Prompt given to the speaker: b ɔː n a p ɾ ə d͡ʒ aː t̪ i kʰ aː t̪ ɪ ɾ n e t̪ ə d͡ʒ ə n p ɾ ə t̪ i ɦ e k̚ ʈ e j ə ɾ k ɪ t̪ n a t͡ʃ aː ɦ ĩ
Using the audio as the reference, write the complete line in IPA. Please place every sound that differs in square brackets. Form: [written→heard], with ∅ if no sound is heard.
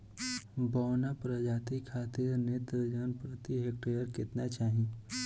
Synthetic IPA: b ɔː n a p ɾ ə d͡ʒ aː t̪ i kʰ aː t̪ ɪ ɾ n e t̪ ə d͡ʒ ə n p ɾ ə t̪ i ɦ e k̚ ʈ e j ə ɾ k ɪ t̪ n a t͡ʃ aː ɦ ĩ